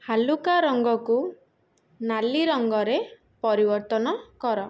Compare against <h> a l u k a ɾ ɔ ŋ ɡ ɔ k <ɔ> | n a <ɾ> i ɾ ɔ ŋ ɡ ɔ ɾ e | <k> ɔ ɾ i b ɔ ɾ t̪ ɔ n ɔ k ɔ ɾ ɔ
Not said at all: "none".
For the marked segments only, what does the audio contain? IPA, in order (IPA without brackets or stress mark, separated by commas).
h, u, l, p